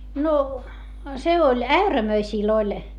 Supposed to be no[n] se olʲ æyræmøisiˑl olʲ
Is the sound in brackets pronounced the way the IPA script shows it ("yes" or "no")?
no